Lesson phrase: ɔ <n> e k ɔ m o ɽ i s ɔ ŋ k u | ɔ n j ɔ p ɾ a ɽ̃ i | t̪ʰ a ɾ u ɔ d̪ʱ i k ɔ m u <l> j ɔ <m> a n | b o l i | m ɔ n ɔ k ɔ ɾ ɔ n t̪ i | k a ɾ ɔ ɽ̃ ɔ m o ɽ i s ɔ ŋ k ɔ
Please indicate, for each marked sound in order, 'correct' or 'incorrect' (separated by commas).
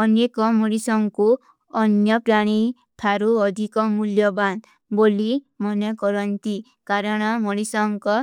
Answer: correct, correct, incorrect